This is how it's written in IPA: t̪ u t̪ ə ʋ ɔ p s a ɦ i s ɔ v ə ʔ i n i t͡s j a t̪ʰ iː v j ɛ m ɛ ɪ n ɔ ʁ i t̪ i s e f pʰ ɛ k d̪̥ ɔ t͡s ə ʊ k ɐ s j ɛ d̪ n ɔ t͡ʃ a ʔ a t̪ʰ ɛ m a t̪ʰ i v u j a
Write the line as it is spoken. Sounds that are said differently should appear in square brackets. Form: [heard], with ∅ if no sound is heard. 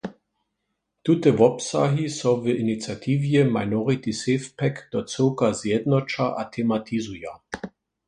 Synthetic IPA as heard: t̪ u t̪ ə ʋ ɔ p s a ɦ i s ɔ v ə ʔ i n i t͡s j a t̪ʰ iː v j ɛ m [a] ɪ n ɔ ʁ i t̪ i s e f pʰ ɛ k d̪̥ ɔ t͡s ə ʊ k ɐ [z] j ɛ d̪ n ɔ t͡ʃ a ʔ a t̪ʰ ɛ m a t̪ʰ i [z] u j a